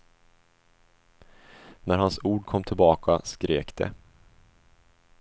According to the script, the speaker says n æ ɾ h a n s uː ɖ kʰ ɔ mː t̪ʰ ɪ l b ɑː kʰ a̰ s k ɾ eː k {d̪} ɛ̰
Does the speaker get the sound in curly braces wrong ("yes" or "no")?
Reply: no